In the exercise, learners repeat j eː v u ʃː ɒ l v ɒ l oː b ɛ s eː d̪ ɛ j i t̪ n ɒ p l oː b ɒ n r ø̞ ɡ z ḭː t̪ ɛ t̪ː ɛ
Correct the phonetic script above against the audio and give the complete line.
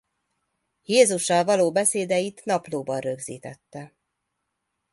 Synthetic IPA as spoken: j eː z u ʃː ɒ l v ɒ l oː b ɛ s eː d̪ ɛ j i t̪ n ɒ p l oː b ɒ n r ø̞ ɡ z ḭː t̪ ɛ t̪ː ɛ